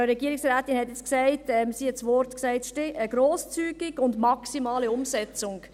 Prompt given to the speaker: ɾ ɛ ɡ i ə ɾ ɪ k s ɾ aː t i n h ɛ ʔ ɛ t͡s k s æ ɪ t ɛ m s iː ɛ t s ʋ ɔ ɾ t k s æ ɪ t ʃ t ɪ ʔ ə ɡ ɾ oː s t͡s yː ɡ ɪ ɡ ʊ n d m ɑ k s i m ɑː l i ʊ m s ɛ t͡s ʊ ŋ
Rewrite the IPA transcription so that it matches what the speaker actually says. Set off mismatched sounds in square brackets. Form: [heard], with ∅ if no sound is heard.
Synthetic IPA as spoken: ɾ ɛ ɡ i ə ɾ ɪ k s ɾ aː t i n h ɛ [t] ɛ t͡s k s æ ɪ t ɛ m s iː ɛ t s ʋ ɔ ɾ t k s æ ɪ t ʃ t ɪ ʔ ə ɡ ɾ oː s t͡s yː ɡ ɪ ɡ ʊ n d m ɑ k s i m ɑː l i ʊ m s ɛ t͡s ʊ ŋ